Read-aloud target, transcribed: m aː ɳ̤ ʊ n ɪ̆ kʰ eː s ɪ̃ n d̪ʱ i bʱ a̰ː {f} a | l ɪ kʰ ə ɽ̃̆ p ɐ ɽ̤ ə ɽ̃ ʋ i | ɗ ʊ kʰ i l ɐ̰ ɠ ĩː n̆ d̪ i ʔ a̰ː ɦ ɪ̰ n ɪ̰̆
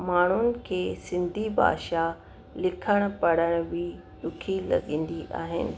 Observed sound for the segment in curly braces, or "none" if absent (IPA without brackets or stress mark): ʃ